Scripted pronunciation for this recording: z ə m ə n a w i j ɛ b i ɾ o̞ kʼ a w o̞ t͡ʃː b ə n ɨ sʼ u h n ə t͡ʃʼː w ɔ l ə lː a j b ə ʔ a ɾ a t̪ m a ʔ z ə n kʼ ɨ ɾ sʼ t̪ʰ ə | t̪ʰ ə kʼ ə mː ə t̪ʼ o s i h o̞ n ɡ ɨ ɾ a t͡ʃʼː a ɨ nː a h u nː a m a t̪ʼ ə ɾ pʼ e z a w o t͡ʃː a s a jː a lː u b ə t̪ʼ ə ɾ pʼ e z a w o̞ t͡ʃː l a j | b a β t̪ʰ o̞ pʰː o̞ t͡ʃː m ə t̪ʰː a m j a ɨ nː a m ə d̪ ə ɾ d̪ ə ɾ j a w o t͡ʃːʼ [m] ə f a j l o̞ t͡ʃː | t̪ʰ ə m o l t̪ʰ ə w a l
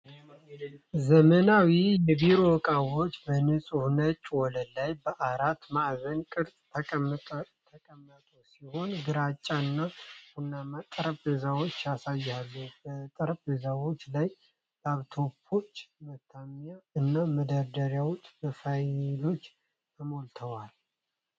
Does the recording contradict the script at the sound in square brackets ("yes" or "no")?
yes